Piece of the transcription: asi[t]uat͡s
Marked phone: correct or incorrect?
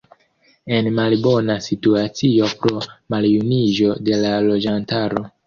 correct